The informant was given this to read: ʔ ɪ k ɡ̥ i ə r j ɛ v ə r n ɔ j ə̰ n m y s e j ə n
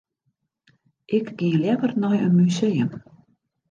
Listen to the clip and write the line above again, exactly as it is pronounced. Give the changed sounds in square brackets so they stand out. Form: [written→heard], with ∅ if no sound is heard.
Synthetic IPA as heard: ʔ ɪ k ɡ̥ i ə [r→l] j ɛ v ə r n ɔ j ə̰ n m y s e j ə [n→m]